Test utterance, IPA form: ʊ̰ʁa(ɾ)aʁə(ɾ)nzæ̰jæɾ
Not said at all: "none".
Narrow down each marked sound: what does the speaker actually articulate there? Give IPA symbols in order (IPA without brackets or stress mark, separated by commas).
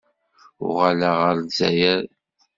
l, ɾ